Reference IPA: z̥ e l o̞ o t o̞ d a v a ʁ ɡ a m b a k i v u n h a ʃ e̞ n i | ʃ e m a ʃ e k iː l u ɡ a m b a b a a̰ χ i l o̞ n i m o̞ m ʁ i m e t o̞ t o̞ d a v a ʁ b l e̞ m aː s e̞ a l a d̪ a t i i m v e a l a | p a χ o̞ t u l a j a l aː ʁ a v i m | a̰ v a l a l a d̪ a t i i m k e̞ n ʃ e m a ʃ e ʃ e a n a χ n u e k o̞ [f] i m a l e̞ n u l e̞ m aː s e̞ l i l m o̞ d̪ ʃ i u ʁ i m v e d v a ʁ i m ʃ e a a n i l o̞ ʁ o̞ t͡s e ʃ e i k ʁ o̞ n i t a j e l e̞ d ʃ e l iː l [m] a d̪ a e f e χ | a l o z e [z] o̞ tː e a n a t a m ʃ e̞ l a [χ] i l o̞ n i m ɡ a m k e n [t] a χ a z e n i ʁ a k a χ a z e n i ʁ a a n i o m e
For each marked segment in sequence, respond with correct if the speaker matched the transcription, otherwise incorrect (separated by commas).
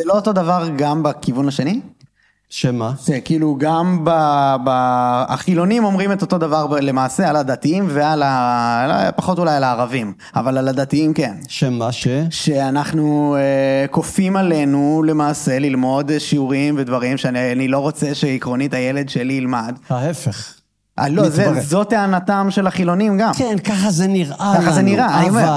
correct, correct, correct, correct, incorrect